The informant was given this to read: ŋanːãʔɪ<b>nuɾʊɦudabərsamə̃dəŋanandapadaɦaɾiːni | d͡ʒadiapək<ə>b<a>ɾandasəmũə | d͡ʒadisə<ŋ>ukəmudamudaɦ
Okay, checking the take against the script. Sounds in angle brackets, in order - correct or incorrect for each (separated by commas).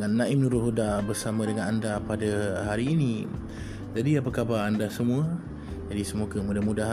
incorrect, incorrect, correct, incorrect